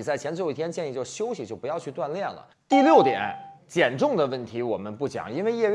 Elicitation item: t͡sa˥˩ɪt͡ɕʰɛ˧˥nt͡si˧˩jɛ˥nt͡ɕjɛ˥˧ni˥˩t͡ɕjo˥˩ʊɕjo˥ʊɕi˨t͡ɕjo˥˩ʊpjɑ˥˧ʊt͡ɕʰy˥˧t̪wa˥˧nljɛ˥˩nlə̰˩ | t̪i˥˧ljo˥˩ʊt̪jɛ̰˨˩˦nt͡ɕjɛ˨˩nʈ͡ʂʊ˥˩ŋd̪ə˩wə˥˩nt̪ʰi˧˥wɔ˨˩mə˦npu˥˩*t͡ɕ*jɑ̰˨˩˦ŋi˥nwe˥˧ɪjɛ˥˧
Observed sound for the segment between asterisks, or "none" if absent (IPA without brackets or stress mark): t͡ɕ